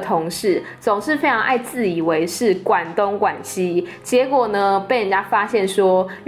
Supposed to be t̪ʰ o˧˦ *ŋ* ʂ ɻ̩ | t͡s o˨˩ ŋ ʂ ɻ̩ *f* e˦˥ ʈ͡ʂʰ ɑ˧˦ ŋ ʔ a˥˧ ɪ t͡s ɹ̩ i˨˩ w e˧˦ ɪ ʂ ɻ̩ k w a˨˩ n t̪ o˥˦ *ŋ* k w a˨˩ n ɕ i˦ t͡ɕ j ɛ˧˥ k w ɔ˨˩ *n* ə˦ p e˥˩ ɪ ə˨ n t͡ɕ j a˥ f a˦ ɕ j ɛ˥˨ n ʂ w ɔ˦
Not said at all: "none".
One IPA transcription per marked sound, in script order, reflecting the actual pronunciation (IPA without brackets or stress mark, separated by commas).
ŋ, f, ŋ, n